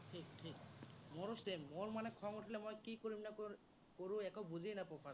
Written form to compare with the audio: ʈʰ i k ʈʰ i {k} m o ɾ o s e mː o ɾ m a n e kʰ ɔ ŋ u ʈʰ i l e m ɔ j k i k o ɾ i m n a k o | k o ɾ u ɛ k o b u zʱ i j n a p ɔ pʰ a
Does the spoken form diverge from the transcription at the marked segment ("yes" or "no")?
no